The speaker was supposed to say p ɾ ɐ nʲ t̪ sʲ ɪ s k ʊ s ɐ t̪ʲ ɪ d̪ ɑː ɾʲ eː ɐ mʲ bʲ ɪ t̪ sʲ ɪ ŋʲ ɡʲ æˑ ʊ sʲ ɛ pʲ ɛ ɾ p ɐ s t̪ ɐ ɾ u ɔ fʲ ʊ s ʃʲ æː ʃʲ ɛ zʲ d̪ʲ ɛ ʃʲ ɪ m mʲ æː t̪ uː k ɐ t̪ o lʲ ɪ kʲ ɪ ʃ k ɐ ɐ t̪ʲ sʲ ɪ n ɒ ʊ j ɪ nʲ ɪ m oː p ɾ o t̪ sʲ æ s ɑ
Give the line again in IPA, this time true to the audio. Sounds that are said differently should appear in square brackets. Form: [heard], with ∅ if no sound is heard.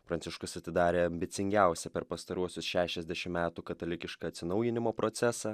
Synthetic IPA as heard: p ɾ ɐ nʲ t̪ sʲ ɪ [ʃ] k ʊ s ɐ t̪ʲ ɪ d̪ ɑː ɾʲ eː ɐ mʲ bʲ ɪ t̪ sʲ ɪ ŋʲ ɡʲ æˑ ʊ sʲ ɛ pʲ ɛ ɾ p ɐ s t̪ ɐ ɾ u ɔ [sʲ] ʊ s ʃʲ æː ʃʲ ɛ zʲ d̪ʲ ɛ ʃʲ ɪ m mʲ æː t̪ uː k ɐ t̪ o lʲ ɪ kʲ ɪ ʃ k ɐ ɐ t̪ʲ sʲ ɪ n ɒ ʊ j ɪ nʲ ɪ m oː p ɾ o t̪ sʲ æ s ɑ